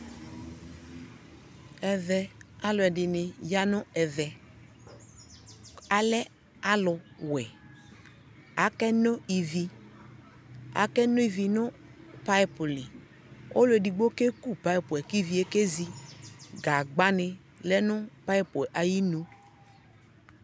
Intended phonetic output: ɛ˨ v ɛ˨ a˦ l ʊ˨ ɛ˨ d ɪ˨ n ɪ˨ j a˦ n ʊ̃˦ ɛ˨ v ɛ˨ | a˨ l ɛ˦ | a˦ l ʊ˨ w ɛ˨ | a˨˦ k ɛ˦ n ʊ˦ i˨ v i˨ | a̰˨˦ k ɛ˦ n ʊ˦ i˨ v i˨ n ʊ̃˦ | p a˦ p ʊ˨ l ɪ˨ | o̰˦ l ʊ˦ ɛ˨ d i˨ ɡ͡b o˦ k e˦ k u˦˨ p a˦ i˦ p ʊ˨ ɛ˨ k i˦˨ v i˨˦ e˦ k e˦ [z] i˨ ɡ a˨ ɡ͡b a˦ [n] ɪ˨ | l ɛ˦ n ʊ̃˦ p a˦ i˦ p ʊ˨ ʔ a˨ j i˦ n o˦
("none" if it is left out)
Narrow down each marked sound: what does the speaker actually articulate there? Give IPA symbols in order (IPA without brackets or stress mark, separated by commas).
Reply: z, n